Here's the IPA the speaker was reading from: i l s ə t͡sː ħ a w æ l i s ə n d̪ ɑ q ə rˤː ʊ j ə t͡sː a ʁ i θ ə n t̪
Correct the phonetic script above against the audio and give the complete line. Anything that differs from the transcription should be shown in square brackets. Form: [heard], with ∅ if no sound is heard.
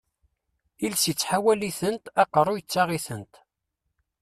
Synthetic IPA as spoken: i l s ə t͡sː ħ a w æ l i [θ] ə n [t̪] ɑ q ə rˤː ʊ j ə t͡sː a ʁ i θ ə n t̪